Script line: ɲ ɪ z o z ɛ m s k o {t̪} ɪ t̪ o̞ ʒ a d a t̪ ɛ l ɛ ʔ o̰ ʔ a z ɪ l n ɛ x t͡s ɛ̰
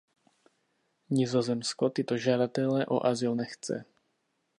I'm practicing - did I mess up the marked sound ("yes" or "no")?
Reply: no